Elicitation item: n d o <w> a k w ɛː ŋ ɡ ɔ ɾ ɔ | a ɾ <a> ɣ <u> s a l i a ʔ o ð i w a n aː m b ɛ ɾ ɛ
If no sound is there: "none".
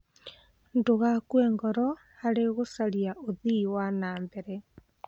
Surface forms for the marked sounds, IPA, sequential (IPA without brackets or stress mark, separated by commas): ɣ, e, o